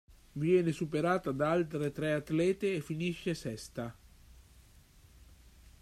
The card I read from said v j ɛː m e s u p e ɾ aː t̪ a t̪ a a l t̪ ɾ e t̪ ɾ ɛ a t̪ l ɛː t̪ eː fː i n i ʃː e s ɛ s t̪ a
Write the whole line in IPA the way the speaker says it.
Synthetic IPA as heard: v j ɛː n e s u p e ɾ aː t̪ a d̪ a a l t̪ ɾ e t̪ ɾ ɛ a t̪ l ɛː t̪ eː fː i n i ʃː e s ɛ s t̪ a